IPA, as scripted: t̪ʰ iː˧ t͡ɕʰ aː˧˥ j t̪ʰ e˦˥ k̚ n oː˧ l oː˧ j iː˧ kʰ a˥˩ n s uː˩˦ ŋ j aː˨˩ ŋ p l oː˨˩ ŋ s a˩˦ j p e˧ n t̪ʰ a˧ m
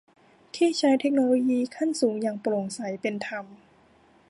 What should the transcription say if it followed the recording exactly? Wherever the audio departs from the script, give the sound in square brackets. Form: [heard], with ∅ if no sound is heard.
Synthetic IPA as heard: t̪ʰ [iː˥˩] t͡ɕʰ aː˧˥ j t̪ʰ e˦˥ k̚ n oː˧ l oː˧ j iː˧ kʰ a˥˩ n s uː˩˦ ŋ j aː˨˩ ŋ p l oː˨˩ ŋ s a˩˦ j p e˧ n t̪ʰ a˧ m